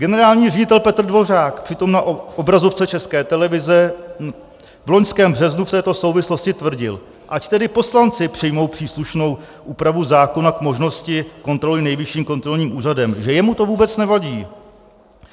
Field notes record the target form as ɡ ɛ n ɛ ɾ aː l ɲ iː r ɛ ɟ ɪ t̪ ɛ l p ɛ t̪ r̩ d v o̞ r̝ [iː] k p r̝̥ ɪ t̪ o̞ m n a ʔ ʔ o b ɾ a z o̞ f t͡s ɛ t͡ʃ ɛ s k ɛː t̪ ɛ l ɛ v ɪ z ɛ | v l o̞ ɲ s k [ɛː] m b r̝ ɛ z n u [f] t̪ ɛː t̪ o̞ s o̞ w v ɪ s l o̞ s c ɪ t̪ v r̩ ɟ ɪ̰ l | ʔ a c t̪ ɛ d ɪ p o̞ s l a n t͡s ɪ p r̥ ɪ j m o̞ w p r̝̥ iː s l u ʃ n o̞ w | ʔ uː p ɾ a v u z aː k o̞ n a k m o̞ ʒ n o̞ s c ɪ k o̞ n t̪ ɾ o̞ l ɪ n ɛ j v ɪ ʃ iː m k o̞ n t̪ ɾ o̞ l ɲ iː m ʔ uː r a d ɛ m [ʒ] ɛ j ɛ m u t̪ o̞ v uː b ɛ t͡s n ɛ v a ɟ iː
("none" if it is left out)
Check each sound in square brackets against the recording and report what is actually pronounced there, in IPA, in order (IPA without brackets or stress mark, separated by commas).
aː, ɛː, f, ʒ